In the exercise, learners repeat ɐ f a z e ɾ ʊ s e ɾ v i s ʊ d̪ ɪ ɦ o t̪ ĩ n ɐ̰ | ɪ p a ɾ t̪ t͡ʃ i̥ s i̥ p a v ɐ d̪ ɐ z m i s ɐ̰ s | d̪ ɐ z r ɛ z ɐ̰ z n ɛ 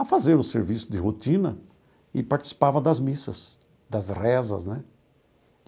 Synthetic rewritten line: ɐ f a z e ɾ ʊ s e ɾ v i s ʊ d̪ ɪ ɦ o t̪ ĩ n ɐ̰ | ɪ p a ɾ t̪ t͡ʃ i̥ s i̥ p a v ɐ d̪ ɐ z m i s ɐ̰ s | d̪ ɐ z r ɛ z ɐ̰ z n ɛ